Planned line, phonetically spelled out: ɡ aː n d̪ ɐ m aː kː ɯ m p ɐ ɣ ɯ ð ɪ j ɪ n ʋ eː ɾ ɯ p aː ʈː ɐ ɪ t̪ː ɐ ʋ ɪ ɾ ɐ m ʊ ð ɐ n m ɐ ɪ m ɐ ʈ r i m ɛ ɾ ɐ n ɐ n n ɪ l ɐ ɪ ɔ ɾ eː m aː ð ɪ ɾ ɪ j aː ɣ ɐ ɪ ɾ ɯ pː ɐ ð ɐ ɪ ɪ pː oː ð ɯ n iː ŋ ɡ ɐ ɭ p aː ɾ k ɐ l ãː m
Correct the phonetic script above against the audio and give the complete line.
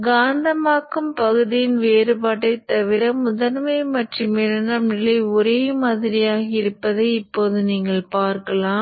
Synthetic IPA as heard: ɡ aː n d̪ ɐ m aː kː ɯ m p ɐ ɣ ɯ ð ɪ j ɪ n ʋ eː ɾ ɯ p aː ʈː ɐ ɪ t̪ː ɐ ʋ ɪ ɾ ɐ m ʊ ð ɐ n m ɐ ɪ m ɐ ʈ r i m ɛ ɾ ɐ n ɐ m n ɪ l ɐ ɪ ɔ ɾ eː m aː ð ɪ ɾ ɪ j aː ɣ ɐ ɪ ɾ ɯ pː ɐ ð ɐ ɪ ɪ pː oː ð ɯ n iː ŋ ɡ ɐ ɭ p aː ɾ k ɐ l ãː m